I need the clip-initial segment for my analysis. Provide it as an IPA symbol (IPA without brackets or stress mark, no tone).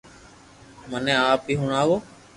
m